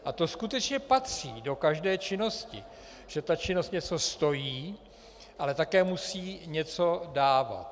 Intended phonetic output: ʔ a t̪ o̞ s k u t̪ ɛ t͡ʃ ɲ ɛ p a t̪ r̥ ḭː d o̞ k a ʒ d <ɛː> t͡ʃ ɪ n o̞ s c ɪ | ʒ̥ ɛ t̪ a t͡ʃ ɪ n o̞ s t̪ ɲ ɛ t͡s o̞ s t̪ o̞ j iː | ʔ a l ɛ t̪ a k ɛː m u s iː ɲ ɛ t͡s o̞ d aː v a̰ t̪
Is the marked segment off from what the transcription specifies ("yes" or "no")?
no